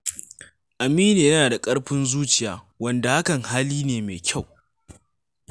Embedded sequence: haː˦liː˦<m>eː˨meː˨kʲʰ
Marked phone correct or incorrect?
incorrect